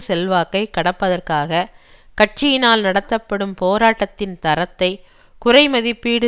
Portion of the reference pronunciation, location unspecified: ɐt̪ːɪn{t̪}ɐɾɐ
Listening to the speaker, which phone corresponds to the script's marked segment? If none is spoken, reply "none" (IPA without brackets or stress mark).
t̪